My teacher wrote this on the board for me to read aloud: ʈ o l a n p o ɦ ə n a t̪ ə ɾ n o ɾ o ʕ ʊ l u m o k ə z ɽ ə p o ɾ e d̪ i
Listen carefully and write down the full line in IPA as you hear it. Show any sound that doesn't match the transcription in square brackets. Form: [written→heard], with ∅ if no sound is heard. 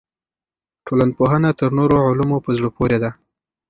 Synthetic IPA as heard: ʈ o l a n p o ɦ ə n a t̪ ə ɾ n o ɾ o ʕ ʊ l u m o [k→p] ə z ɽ ə p o ɾ e d̪ [i→a]